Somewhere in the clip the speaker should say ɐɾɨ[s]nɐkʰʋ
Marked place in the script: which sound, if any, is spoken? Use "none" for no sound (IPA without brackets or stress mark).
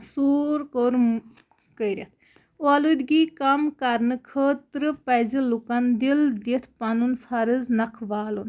z